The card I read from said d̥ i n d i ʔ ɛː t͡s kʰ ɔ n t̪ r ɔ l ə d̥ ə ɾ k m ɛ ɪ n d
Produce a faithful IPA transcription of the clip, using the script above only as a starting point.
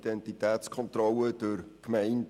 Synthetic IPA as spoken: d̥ ɛ n t i t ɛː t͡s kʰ ɔ n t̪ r ɔ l ə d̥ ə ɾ k m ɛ ɪ n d